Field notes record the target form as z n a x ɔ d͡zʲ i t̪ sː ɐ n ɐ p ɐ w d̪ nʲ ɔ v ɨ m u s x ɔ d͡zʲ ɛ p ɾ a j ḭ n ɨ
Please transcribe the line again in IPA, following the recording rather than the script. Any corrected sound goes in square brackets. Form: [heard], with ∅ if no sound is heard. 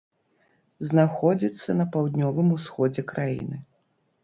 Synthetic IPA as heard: z n a x ɔ d͡zʲ i t̪ sː ɐ n ɐ p [a] w d̪ nʲ ɔ v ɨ m u s x ɔ d͡zʲ ɛ [k] ɾ a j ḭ n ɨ

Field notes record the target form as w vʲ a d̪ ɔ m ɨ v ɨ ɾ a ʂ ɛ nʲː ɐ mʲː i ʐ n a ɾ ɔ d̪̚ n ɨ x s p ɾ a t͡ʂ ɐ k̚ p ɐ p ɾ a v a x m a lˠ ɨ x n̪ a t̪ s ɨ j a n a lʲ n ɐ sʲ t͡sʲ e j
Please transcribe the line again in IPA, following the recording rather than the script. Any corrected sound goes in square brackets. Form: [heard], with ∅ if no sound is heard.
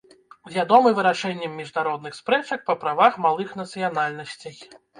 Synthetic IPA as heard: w vʲ a d̪ ɔ m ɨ v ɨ ɾ a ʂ ɛ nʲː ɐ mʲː i ʐ n a ɾ ɔ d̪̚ n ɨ x s p ɾ [ɛ] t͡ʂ ɐ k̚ p ɐ p ɾ a v a x m a lˠ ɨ x n̪ [ɐ] t̪ s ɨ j a n a lʲ n ɐ sʲ t͡sʲ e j

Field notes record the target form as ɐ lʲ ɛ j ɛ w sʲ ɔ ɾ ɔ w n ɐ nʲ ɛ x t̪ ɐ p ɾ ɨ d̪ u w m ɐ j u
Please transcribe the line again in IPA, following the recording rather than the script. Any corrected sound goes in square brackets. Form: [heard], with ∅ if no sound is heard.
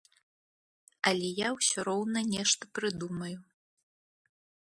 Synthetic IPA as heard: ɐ lʲ ɛ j [a] w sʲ ɔ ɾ ɔ w n ɐ nʲ ɛ [ʂ] t̪ ɐ p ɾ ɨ d̪ u [∅] m ɐ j u

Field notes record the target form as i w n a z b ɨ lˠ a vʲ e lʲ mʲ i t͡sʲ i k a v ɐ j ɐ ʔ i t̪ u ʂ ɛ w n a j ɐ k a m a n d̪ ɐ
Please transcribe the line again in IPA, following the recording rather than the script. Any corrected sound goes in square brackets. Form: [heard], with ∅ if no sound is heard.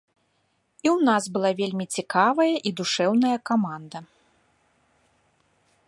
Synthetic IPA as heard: i w n a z b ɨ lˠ a vʲ e lʲ mʲ i t͡sʲ i k a v ɐ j ɐ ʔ i [d̪] u ʂ ɛ w n [ɐ] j ɐ k a m a n d̪ ɐ

